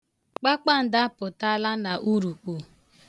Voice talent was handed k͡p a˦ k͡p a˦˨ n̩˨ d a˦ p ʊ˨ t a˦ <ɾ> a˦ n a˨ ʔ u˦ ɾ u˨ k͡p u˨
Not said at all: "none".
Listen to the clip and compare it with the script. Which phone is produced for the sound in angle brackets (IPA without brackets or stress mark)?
l